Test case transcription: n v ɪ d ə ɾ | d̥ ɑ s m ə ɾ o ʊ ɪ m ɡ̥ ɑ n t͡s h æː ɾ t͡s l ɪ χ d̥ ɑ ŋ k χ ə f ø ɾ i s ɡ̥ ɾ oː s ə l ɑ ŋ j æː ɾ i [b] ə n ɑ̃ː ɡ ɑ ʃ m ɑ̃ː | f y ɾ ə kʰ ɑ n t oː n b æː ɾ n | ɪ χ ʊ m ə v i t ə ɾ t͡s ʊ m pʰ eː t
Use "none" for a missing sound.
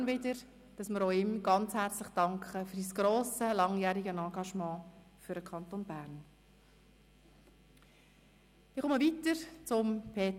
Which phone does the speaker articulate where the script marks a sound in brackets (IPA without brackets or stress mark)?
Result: ɡ